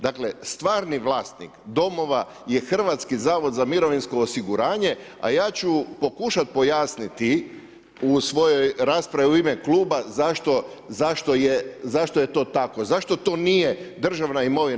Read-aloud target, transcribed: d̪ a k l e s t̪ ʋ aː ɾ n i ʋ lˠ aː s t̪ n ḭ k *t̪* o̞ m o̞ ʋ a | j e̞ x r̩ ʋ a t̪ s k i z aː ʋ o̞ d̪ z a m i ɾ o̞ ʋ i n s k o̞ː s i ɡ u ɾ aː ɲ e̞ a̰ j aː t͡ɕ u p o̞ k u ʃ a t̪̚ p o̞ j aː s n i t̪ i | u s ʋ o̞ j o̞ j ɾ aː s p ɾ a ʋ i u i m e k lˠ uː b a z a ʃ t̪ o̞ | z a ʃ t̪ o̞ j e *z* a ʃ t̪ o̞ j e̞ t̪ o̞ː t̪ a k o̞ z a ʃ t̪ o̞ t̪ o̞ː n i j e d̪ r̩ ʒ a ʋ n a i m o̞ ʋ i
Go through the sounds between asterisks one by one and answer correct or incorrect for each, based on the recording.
incorrect, correct

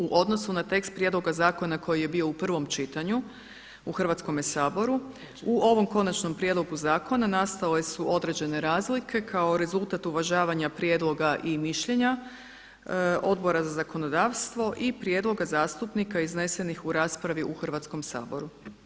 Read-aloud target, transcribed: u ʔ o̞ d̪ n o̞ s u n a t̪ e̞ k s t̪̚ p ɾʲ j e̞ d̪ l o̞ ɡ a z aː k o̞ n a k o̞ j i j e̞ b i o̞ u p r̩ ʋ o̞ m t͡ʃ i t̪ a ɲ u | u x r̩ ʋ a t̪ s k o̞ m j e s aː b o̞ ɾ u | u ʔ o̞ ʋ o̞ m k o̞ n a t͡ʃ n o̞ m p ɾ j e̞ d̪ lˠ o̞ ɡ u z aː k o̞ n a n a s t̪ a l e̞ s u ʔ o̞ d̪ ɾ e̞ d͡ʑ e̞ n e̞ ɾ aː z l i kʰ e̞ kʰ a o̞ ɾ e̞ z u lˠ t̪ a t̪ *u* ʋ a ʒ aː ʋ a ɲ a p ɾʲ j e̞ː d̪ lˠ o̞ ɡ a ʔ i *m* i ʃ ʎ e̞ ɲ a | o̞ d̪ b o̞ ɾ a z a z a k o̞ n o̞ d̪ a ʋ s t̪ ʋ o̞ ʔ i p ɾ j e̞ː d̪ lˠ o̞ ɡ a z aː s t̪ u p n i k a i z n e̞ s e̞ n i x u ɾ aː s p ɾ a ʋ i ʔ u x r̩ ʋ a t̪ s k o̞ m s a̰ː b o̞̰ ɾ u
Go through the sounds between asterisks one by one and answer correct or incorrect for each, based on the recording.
correct, correct

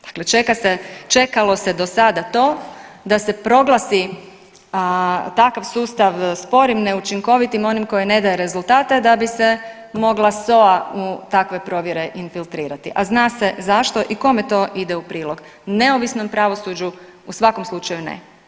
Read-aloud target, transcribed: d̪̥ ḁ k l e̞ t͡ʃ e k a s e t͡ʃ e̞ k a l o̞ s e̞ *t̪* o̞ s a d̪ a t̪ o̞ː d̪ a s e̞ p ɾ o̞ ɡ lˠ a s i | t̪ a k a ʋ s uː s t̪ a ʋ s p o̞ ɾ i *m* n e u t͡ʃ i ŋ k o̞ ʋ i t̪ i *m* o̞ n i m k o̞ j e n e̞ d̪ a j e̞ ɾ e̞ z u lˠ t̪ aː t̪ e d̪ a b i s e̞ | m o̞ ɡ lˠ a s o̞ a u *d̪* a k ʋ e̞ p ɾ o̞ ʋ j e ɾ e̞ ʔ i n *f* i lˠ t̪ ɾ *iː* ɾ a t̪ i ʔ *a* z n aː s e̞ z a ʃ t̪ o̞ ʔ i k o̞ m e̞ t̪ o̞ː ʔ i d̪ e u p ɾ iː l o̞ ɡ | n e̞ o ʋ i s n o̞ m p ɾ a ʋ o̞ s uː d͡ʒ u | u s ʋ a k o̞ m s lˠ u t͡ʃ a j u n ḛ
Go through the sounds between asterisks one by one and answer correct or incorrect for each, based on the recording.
incorrect, correct, correct, incorrect, correct, correct, correct

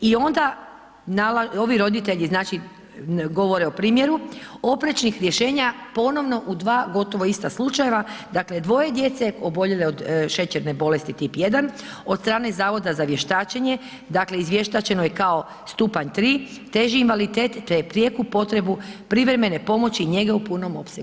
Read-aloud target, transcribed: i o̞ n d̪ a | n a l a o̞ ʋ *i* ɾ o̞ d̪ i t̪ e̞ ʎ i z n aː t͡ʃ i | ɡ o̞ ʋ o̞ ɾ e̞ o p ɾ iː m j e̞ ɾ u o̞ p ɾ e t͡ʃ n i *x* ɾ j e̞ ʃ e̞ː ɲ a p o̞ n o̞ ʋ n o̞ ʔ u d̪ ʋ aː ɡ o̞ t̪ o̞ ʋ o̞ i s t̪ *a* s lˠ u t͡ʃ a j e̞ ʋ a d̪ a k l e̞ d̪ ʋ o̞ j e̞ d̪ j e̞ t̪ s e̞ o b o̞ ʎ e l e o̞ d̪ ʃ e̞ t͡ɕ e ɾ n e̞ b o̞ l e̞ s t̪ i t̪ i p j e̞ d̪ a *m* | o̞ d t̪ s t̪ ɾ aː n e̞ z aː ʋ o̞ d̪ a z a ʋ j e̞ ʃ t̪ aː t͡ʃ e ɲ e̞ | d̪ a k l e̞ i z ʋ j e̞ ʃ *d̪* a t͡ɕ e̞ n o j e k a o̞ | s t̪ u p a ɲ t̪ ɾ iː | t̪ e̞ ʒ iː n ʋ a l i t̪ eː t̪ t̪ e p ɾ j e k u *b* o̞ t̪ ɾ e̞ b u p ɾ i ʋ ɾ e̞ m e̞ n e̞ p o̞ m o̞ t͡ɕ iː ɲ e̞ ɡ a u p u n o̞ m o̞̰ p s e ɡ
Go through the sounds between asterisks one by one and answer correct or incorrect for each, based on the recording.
correct, correct, correct, incorrect, incorrect, incorrect

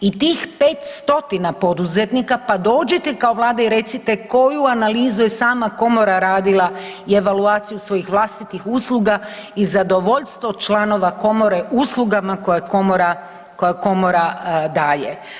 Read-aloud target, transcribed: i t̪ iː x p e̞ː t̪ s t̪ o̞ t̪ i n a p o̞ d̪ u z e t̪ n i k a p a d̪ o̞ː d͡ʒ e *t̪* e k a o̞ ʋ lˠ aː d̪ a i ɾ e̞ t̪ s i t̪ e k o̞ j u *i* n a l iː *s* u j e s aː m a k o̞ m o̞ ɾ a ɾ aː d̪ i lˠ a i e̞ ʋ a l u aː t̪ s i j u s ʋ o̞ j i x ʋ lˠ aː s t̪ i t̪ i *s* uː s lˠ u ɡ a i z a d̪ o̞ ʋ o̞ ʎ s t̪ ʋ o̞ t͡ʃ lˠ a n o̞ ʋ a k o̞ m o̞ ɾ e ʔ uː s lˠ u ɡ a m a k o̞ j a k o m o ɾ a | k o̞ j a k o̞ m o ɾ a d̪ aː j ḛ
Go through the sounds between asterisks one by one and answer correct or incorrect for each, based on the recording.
correct, incorrect, incorrect, incorrect

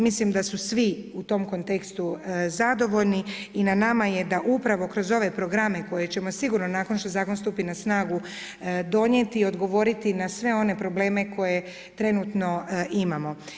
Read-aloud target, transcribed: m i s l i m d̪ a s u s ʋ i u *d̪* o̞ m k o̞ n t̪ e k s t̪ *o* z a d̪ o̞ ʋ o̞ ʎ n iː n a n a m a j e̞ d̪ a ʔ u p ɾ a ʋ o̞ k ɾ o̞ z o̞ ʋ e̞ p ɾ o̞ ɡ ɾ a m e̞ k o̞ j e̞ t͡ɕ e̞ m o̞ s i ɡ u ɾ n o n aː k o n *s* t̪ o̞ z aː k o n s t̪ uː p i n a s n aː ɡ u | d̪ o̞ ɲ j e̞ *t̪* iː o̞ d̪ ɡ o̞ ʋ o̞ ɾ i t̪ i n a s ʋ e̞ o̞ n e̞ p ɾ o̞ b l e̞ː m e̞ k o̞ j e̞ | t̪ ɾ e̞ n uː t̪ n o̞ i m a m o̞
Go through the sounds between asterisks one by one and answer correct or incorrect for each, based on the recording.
incorrect, incorrect, incorrect, correct

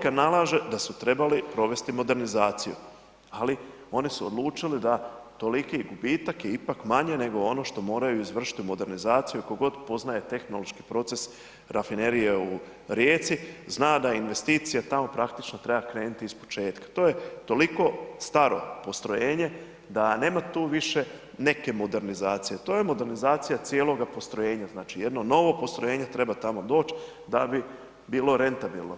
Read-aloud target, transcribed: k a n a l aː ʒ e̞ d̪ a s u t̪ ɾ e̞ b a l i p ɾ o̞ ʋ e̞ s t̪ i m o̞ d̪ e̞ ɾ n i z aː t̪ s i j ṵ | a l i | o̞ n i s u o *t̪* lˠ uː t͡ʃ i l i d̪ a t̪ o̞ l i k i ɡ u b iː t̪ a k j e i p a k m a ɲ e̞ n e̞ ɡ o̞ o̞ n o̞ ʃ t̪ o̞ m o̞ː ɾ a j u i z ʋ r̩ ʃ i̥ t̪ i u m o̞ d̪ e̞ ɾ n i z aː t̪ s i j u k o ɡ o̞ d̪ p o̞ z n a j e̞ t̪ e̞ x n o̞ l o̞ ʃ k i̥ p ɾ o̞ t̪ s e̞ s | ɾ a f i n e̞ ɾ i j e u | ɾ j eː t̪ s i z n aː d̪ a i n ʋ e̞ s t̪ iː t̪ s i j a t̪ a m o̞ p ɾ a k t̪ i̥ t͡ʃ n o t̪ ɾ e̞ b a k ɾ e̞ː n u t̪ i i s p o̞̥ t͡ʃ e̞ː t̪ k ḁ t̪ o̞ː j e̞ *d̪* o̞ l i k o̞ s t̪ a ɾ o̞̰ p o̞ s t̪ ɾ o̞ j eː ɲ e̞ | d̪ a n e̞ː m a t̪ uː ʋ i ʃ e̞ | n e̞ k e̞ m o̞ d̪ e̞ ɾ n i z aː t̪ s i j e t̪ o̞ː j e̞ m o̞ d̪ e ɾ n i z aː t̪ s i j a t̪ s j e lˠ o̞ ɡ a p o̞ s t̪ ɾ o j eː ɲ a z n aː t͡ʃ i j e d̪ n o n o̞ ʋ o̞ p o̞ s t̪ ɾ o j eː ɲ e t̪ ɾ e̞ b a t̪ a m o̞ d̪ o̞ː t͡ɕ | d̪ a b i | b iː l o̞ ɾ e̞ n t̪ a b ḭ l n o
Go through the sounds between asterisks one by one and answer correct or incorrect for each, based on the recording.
incorrect, incorrect

